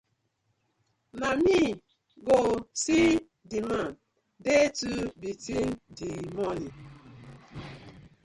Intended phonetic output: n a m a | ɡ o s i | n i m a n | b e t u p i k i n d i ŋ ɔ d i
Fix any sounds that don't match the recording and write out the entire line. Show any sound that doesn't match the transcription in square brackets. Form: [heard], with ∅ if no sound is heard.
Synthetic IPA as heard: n a m [i] | ɡ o s i | [d] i m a n | [d] e t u [b] i [t] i n d i [m] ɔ [n] i